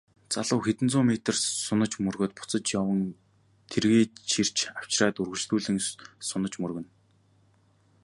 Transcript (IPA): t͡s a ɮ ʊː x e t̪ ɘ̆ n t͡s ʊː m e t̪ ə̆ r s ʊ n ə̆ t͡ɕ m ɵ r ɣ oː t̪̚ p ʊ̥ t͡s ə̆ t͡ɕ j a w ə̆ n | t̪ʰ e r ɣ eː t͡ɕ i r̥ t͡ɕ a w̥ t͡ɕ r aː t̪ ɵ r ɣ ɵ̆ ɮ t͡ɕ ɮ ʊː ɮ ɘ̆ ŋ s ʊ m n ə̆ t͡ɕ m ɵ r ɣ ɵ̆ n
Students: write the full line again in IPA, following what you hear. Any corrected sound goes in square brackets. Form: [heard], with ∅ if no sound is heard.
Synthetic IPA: t͡s a ɮ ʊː x e t̪ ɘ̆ n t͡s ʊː m e t̪ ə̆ r s ʊ n ə̆ t͡ɕ m ɵ r ɣ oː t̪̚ p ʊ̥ t͡s ə̆ t͡ɕ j a w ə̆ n | t̪ʰ e r ɣ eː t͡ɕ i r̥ t͡ɕ a w̥ t͡ɕ r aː t̪ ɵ r ɣ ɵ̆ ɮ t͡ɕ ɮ [uː] ɮ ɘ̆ ŋ s ʊ [∅] n ə̆ t͡ɕ m ɵ r ɣ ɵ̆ n